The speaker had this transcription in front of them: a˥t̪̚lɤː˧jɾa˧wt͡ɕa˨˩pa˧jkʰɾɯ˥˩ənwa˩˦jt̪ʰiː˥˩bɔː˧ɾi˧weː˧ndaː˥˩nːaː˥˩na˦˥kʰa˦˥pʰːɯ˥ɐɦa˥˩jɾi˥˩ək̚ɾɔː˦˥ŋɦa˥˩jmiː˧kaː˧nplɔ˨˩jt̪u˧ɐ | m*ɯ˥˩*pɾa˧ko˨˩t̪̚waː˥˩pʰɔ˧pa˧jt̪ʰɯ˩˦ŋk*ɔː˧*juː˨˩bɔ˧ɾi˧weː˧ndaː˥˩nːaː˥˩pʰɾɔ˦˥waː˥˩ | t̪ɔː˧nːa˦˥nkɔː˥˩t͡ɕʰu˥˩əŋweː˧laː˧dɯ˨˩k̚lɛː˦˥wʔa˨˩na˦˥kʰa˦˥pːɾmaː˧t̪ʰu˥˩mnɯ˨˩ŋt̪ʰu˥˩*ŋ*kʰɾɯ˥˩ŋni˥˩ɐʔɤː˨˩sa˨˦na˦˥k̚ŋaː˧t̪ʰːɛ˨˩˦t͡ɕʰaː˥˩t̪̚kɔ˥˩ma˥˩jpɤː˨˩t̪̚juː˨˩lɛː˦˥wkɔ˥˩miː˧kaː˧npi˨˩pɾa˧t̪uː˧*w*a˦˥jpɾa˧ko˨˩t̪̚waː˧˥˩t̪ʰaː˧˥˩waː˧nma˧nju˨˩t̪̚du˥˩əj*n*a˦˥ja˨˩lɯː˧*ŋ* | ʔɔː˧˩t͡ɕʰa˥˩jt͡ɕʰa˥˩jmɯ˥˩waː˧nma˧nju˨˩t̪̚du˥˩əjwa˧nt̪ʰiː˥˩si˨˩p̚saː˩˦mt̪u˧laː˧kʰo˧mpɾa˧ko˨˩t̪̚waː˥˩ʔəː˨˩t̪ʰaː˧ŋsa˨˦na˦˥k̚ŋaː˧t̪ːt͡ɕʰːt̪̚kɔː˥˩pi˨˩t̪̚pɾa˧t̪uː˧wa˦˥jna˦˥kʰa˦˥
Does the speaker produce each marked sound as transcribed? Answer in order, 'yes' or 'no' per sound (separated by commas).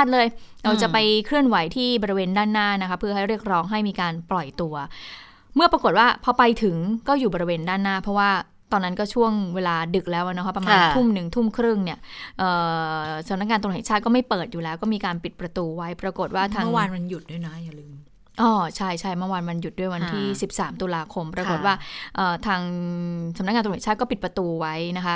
yes, no, no, yes, yes, no